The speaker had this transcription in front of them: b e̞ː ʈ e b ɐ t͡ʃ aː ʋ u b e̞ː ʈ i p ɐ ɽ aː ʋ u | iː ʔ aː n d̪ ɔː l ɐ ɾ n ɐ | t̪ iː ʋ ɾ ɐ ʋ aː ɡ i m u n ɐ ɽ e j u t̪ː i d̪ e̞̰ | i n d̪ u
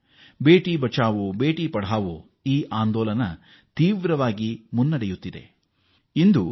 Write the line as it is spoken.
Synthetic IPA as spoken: b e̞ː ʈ i b ɐ t͡ʃ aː ʋ u b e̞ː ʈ i p ɐ ɽ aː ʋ u | iː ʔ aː n d̪ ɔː l ɐ n ɐ | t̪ iː ʋ ɾ ɐ ʋ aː ɡ i m u nː ɐ ɽ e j u t̪ː i d̪ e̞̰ | i n d̪ u